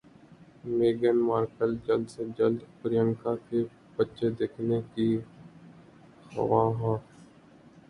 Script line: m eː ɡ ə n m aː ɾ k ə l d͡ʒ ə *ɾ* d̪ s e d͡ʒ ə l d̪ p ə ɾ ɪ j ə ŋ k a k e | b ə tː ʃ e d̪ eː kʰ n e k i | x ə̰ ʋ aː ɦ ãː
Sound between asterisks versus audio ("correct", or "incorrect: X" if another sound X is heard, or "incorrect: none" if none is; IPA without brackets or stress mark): incorrect: l